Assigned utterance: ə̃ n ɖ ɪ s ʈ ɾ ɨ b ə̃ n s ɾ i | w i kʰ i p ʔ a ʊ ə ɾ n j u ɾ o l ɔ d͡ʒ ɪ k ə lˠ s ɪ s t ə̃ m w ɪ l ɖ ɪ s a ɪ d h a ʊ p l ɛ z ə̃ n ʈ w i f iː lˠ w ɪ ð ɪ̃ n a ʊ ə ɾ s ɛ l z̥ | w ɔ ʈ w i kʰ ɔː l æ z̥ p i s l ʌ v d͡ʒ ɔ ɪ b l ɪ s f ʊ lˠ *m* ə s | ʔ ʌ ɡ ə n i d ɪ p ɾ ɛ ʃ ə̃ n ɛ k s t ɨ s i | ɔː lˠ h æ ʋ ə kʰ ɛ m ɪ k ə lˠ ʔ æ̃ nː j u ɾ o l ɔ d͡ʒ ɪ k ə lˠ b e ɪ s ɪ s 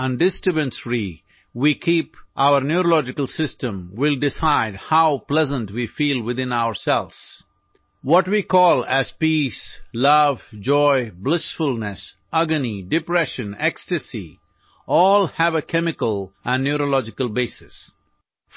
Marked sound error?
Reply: yes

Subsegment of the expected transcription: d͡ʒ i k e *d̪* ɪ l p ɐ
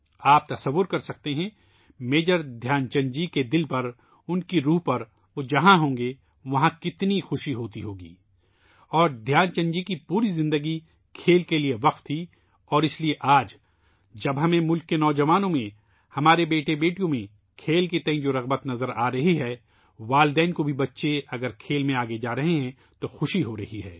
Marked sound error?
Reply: no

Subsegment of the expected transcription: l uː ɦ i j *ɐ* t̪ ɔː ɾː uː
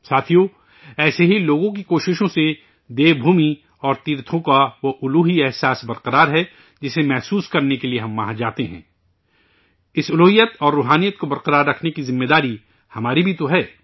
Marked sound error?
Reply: yes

